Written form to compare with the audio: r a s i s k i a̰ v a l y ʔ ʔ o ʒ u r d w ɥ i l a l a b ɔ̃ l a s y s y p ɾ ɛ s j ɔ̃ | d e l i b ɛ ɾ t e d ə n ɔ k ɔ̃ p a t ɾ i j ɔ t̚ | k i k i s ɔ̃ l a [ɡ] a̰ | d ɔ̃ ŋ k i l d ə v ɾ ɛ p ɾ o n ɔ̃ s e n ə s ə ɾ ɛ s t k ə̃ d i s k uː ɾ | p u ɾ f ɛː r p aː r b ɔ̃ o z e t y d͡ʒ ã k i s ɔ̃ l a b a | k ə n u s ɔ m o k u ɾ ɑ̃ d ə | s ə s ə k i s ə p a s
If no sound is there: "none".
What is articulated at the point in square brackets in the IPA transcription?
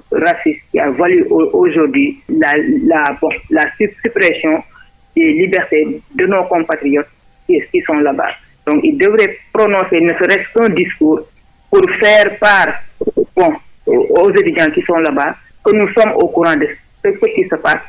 b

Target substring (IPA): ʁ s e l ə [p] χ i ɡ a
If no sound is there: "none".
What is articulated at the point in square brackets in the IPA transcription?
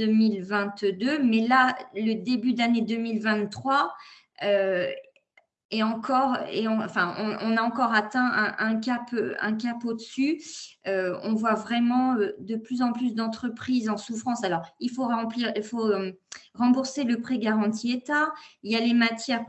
p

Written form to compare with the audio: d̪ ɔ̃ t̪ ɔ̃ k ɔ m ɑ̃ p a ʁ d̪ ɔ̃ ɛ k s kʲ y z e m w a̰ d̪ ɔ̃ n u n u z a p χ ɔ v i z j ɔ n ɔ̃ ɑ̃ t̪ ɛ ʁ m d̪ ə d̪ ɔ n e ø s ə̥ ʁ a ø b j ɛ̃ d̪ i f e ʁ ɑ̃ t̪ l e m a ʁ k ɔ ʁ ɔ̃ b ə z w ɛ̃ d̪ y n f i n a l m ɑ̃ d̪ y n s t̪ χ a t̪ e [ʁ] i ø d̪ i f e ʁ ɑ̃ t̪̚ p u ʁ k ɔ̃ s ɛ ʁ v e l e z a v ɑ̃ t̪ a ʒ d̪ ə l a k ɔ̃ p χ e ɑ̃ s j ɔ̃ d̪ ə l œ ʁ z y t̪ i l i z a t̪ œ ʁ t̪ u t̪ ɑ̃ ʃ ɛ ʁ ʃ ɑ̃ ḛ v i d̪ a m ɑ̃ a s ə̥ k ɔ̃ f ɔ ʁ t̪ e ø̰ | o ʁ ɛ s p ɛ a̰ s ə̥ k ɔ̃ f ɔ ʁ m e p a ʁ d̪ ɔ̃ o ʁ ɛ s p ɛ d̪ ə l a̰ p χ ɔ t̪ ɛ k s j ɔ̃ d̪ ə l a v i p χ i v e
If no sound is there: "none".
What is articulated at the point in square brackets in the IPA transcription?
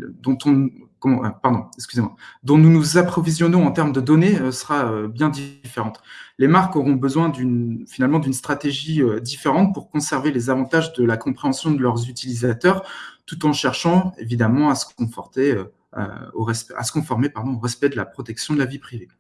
ʒ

